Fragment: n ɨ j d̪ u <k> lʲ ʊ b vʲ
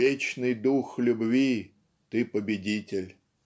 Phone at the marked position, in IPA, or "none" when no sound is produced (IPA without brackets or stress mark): x